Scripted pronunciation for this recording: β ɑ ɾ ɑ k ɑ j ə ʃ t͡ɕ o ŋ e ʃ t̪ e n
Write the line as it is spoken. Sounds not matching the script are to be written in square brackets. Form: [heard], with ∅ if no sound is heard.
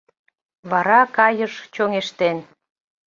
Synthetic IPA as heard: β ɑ ɾ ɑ k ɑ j ə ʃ t͡ɕ o ŋ e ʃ t̪ e n